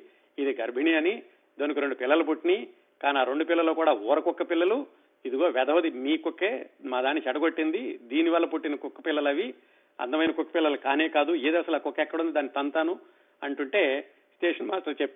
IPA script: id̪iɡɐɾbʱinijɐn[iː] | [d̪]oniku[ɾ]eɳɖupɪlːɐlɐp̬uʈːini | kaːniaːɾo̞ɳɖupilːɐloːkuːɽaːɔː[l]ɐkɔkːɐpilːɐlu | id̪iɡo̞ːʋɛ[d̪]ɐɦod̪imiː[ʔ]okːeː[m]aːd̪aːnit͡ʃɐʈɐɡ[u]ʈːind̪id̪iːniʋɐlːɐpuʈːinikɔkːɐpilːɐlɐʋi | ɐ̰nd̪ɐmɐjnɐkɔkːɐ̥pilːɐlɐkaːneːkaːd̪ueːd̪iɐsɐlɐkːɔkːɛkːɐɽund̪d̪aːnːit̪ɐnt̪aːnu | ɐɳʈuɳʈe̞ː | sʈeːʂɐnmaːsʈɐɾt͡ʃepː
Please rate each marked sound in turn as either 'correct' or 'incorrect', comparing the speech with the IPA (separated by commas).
incorrect, correct, correct, incorrect, correct, incorrect, correct, incorrect